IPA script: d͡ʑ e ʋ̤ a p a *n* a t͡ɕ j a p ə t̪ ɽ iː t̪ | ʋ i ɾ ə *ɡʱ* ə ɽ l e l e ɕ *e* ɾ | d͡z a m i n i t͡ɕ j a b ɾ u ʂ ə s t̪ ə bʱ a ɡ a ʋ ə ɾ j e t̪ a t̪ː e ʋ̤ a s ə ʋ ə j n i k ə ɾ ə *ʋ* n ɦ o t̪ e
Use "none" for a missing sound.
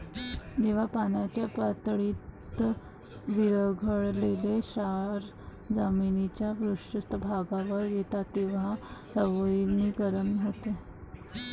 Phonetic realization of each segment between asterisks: n, ɡʱ, a, none

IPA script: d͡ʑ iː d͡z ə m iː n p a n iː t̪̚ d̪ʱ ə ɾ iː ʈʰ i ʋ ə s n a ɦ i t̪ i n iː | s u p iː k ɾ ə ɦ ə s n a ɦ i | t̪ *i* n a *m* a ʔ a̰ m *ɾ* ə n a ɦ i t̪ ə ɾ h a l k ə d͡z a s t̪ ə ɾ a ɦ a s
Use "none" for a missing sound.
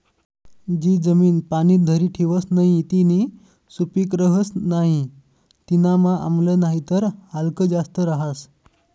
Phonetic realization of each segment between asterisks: i, m, l

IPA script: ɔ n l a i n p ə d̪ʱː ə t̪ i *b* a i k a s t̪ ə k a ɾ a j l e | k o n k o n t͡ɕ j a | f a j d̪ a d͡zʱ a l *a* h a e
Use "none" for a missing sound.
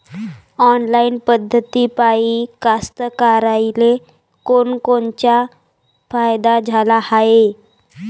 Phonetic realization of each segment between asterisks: p, a

